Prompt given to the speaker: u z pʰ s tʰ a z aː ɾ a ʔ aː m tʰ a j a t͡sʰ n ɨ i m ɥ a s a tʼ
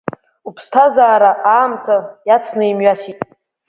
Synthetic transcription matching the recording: u pʰ s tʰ a z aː ɾ a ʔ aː m tʰ a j a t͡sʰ n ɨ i m ɥ a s i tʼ